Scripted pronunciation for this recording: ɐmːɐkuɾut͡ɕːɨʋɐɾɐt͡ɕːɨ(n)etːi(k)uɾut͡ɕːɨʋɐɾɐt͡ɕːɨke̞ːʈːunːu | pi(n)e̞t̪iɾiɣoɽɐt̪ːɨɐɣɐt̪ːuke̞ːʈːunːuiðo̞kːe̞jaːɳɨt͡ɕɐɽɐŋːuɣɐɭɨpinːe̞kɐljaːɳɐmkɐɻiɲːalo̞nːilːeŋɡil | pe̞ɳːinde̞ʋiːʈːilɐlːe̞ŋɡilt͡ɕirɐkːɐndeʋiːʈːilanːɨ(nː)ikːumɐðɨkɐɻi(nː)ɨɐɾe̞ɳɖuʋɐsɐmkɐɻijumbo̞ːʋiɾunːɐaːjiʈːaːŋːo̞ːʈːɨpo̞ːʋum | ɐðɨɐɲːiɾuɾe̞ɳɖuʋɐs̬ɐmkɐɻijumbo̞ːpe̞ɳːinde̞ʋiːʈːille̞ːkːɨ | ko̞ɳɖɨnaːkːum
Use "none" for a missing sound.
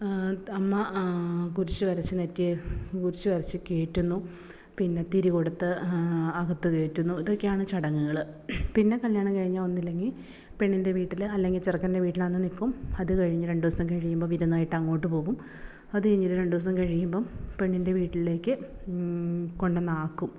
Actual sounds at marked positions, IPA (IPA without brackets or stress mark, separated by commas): n, k, nː, n, ɲː